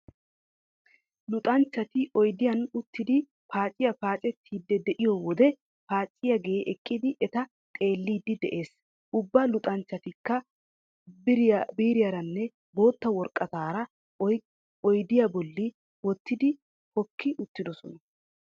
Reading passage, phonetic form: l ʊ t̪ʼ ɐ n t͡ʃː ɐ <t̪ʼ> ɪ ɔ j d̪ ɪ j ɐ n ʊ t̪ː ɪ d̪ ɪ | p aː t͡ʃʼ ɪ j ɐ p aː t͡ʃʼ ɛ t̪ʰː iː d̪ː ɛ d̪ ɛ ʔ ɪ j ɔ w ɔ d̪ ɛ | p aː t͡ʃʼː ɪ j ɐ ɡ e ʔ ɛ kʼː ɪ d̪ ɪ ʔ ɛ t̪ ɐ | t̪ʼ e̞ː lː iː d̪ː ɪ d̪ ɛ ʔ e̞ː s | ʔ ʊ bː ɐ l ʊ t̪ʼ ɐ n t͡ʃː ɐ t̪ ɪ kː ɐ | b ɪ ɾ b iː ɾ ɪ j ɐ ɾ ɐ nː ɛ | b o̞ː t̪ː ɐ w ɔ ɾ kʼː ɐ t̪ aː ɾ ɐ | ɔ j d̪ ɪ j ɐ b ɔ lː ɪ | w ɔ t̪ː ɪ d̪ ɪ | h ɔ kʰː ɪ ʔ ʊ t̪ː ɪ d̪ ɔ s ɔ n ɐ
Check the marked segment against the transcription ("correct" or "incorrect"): incorrect